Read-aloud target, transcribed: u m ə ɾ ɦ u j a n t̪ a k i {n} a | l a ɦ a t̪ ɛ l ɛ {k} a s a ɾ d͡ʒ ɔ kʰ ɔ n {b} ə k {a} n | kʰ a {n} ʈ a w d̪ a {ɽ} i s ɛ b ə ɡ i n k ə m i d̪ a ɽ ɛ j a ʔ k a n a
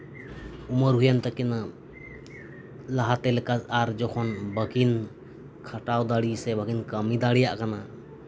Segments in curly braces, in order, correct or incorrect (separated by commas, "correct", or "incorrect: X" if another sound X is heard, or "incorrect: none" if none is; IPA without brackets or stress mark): correct, correct, correct, incorrect: i, incorrect: none, correct